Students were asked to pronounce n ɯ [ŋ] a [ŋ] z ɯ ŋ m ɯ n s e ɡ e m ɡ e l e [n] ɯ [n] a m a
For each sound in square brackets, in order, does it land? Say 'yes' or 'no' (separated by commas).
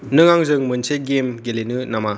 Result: yes, yes, yes, yes